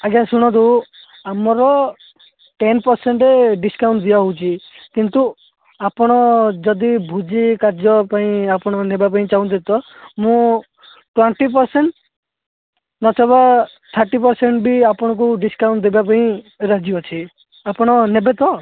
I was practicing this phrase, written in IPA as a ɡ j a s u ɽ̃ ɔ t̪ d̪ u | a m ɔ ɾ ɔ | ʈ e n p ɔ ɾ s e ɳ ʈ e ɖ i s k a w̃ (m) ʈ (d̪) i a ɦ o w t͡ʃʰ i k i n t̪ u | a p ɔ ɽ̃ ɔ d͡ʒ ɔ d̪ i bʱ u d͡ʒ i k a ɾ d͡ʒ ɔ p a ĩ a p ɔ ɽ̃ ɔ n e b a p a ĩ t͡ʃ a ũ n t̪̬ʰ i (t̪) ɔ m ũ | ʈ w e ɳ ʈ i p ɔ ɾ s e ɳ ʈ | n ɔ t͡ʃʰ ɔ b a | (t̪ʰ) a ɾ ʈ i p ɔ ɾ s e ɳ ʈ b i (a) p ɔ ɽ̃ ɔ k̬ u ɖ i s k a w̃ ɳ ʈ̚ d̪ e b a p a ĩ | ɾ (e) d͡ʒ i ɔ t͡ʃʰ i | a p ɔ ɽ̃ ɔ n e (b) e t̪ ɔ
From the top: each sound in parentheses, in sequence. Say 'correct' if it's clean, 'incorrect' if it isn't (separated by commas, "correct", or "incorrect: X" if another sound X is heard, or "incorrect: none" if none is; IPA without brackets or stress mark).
incorrect: ɳ, correct, correct, correct, correct, incorrect: a, correct